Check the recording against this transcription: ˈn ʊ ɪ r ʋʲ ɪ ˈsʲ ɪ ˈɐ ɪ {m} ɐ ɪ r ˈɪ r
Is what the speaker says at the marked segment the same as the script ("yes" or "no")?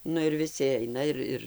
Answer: no